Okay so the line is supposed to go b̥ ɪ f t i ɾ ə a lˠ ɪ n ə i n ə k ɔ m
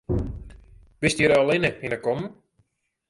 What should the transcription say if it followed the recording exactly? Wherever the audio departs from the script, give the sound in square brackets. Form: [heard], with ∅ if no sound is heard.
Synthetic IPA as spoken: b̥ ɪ [s] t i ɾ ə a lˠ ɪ n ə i n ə k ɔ m